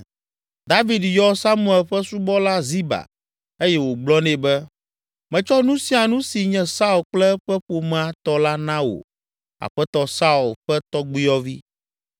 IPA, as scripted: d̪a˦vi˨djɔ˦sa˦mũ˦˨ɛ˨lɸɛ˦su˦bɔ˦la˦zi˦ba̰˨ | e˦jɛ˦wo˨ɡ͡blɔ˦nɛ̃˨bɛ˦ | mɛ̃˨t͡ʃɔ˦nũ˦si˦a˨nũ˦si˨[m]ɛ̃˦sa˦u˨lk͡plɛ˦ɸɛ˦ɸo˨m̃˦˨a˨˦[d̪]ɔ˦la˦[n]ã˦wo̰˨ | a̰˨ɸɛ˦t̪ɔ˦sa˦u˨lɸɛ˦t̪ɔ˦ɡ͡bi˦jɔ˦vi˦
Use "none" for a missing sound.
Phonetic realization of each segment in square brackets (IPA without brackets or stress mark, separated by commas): ɲ, t̪, n